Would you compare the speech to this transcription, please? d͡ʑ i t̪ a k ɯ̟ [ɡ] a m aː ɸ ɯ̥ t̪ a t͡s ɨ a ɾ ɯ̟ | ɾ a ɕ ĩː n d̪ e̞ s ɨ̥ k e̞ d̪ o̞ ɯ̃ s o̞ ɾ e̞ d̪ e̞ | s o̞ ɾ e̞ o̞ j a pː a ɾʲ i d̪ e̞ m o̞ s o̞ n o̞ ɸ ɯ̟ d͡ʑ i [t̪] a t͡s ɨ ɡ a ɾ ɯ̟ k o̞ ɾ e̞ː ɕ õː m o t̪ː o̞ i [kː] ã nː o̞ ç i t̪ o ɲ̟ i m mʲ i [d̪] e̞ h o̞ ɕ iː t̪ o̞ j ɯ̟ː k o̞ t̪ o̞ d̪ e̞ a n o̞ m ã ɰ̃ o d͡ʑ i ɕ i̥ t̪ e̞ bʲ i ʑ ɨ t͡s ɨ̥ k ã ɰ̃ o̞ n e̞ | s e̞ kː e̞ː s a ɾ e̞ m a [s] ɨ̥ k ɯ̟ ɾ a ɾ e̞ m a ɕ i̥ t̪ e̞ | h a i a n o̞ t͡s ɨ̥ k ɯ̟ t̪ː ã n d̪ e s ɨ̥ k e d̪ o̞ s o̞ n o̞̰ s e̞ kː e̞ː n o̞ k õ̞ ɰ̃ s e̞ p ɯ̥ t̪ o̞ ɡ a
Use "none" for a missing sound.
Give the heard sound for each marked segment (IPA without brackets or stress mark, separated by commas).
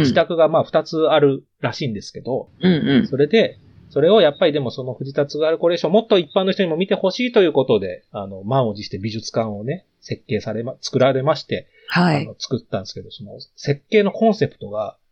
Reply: ɡ, t̪, pː, t̪, t͡s